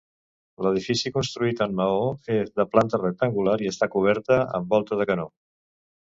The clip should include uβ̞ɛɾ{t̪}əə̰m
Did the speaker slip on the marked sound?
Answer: no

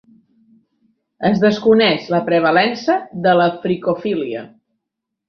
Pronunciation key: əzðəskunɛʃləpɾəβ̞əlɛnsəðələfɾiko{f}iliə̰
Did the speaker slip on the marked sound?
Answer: no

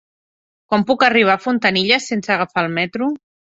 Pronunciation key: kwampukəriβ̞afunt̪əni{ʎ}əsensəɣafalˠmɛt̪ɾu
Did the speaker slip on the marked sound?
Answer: no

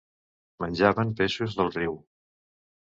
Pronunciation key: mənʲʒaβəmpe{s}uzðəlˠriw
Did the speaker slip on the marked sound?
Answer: yes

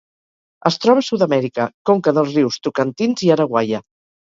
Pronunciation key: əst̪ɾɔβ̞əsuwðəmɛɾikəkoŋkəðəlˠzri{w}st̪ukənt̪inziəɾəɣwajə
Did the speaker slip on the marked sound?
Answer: no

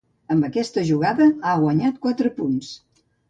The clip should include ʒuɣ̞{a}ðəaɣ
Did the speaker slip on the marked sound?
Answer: no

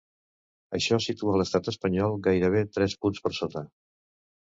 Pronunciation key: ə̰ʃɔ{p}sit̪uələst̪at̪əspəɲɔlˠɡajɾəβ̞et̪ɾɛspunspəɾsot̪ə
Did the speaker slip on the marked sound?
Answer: yes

